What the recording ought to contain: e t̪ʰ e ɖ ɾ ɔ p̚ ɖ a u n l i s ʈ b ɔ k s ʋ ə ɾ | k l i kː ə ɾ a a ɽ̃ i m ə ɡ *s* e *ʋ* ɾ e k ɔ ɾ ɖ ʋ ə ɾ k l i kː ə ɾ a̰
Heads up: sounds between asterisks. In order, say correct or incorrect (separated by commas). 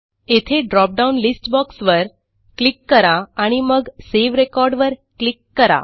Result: correct, correct